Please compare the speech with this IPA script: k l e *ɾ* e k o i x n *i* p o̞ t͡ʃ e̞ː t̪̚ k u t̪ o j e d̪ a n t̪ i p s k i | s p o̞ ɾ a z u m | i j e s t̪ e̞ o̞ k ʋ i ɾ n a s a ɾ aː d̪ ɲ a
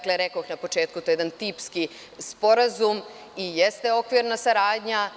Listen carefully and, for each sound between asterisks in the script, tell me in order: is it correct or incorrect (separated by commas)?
correct, incorrect